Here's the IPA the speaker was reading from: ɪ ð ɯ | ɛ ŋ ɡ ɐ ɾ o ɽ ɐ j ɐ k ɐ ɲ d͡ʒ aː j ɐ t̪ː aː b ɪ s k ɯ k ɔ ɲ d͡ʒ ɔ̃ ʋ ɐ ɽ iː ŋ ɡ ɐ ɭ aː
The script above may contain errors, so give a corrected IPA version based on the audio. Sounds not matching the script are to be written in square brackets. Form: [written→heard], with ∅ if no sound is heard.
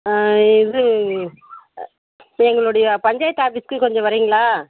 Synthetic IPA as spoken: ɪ ð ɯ | ɛ ŋ ɡ ɐ [ɾ→ɭ] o ɽ ɐ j ɐ [k→p] ɐ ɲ d͡ʒ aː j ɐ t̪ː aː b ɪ s k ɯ k ɔ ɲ d͡ʒ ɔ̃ ʋ ɐ [ɽ→ɾ] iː ŋ ɡ ɐ ɭ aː